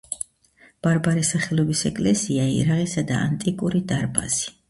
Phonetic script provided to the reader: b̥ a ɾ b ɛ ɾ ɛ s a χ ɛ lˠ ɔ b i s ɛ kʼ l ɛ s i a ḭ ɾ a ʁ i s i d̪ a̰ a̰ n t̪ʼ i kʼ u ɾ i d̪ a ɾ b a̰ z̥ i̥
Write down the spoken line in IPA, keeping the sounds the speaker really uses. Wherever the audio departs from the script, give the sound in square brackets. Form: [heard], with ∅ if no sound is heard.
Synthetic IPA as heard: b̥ a ɾ b [a] ɾ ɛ s a χ ɛ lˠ ɔ b i s ɛ kʼ l ɛ s i a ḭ ɾ a ʁ i s [a] d̪ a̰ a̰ n t̪ʼ i kʼ u ɾ i d̪ a ɾ b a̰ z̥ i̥